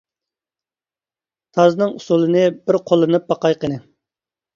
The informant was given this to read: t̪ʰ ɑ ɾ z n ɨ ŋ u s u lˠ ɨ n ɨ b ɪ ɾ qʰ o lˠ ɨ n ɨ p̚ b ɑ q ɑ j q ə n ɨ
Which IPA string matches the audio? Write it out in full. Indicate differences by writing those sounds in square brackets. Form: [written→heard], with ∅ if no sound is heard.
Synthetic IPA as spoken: t̪ʰ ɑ [ɾ→∅] z n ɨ ŋ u s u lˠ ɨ n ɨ b ɪ ɾ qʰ o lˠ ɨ n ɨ p̚ b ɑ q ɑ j q ə n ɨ